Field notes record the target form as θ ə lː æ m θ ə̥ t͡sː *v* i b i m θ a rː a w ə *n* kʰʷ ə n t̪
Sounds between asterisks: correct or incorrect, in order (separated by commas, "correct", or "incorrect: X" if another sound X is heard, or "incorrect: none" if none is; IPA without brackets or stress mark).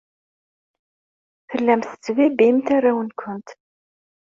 correct, correct